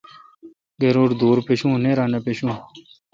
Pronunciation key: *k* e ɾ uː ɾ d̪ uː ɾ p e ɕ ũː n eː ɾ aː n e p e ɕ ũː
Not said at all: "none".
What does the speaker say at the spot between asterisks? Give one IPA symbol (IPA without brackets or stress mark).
ɡ